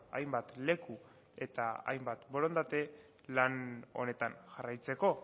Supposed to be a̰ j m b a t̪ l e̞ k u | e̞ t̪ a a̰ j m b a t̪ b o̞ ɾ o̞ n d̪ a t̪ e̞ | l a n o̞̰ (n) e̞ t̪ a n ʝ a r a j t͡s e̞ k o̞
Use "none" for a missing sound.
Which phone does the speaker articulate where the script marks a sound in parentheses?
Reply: n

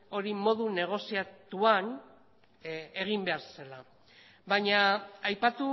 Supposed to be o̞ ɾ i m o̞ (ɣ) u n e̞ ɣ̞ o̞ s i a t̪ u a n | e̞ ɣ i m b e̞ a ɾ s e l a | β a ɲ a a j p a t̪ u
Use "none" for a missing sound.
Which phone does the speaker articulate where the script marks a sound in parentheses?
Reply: ð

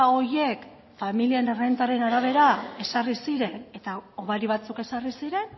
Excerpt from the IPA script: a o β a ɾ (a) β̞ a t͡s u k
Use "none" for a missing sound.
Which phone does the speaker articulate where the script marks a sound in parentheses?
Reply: i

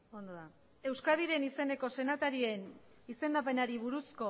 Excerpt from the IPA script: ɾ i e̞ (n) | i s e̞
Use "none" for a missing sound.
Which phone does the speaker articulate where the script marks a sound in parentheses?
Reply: n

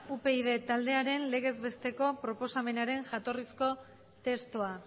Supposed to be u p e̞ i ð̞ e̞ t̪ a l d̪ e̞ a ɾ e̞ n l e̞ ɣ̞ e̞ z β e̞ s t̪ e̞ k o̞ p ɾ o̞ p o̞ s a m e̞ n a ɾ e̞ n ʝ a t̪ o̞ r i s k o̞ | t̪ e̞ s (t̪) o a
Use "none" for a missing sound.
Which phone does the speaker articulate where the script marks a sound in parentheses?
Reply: t̪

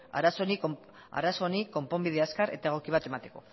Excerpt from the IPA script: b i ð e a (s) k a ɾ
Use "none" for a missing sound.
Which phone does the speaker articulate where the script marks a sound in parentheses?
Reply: s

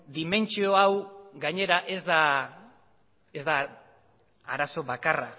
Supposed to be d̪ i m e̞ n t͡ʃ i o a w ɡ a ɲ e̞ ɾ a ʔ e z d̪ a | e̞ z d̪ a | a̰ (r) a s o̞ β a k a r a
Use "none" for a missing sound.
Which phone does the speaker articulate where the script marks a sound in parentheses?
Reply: ɾ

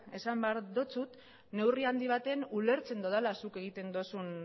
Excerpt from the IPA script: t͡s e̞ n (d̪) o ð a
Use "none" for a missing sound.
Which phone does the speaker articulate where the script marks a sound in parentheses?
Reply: d̪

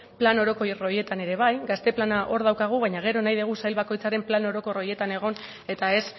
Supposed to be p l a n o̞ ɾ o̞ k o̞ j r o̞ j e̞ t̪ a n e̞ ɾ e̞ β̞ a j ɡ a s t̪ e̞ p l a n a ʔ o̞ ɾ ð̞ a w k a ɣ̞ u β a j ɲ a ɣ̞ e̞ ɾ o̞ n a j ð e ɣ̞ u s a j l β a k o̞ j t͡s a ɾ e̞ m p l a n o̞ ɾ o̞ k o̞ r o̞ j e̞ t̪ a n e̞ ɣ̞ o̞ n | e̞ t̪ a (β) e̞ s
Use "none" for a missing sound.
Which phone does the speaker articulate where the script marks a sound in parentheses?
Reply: none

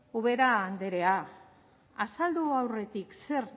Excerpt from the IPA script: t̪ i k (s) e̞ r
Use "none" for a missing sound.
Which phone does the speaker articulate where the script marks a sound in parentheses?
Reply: s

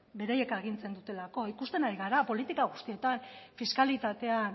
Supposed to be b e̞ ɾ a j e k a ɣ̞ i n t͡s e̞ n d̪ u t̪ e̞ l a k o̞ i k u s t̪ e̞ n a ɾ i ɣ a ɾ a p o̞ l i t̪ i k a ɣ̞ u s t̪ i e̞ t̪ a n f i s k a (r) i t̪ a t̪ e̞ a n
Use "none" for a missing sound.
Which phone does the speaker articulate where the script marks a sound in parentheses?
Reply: l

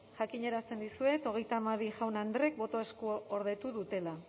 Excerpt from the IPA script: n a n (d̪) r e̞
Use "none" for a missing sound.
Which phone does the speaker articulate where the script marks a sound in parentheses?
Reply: d̪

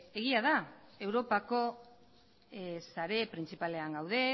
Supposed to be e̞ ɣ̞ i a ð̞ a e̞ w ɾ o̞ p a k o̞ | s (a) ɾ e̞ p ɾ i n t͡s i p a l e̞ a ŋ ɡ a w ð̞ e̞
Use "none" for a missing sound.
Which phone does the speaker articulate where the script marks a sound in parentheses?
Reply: a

